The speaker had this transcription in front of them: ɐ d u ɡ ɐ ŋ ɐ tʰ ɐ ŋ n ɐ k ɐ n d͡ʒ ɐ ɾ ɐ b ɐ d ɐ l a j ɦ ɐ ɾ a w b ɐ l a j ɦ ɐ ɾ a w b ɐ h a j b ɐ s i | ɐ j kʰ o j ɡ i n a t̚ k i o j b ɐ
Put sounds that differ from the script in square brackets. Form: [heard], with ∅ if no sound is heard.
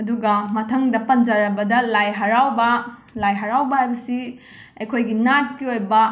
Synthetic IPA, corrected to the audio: ɐ d u ɡ ɐ [m] ɐ tʰ ɐ ŋ [d] ɐ [p] ɐ n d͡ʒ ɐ ɾ ɐ b ɐ d ɐ l a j ɦ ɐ ɾ a w b ɐ l a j ɦ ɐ ɾ a w b ɐ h a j b ɐ s i | ɐ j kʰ o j ɡ i n a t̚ k i o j b ɐ